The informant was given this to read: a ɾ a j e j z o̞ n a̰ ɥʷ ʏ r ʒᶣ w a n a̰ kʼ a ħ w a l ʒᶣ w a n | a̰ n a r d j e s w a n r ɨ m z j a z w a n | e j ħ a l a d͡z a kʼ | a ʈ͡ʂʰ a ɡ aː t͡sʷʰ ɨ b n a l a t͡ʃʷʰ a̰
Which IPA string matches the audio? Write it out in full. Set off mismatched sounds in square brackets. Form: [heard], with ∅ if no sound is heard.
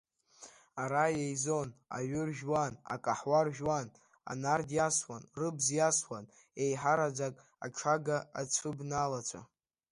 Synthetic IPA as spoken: a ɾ a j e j z o̞ n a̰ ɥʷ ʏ r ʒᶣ w a n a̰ kʼ a ħ w a [r] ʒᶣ w a n | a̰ n a r d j [a] s w a n r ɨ [b] z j a [s] w a n | e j ħ a [ɾ] a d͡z a kʼ | a ʈ͡ʂʰ a ɡ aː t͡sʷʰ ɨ b n a l a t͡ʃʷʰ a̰

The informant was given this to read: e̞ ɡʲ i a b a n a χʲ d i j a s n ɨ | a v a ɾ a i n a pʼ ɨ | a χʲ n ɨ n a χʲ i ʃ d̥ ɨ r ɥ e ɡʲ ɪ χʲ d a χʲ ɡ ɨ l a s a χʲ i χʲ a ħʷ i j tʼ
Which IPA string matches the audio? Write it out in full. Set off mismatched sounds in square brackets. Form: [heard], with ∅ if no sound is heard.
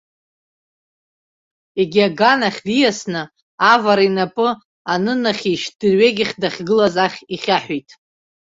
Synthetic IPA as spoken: e̞ ɡʲ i a [ɡ] a n a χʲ d i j a s n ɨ | a v a ɾ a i n a pʼ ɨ | a [∅] n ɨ n a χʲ i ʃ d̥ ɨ r ɥ e ɡʲ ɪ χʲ d a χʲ ɡ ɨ l a [z] a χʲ i χʲ a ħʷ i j tʼ

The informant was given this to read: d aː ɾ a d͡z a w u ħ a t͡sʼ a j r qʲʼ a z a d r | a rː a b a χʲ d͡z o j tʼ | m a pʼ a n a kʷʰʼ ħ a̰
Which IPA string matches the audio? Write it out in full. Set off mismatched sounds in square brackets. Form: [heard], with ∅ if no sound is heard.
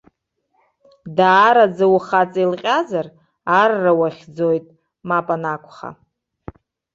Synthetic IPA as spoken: d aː ɾ a d͡z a w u [χ] a t͡sʼ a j [l] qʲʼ a z a [∅] r | a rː a [w] a χʲ d͡z o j tʼ | m a pʼ a n a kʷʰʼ [χ] a̰

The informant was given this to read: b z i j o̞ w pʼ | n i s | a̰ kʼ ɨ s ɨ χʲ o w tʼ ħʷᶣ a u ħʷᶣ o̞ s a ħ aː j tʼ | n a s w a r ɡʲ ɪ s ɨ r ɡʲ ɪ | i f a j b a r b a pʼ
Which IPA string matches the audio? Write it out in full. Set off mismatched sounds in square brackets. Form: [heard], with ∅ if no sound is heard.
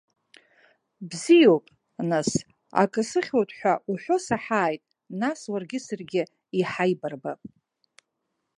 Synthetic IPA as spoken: b z i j o̞ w pʼ | n [a] s | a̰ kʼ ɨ s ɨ χʲ o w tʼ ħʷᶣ a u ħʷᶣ o̞ s a ħ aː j tʼ | n a s w a r ɡʲ ɪ s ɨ r ɡʲ ɪ | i [ħ] a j b a r b a pʼ

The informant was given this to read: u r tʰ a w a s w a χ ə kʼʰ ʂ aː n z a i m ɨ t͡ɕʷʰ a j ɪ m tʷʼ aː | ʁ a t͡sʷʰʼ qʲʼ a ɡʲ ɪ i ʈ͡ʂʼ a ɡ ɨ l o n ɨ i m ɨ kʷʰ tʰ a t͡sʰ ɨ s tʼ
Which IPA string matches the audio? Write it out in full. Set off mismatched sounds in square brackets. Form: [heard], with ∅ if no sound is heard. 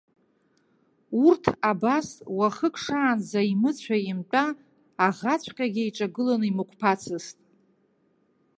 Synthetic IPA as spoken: u r tʰ a [b] a s w a χ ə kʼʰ ʂ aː n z a i m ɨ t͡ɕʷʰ a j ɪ m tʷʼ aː | ʁ a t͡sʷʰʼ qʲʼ a ɡʲ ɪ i ʈ͡ʂʼ a ɡ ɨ l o n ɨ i m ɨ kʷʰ [pʰ] a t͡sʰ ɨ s tʼ

